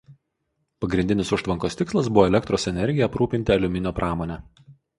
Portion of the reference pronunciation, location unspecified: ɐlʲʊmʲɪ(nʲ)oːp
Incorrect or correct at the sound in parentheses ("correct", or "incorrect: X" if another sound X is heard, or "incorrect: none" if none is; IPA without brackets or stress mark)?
correct